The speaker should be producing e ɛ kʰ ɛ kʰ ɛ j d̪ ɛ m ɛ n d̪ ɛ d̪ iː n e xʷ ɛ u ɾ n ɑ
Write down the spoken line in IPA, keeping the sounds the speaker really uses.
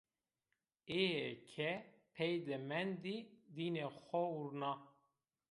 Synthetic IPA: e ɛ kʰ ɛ pʰ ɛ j d̪ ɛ m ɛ n d̪ i d̪ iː n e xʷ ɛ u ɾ n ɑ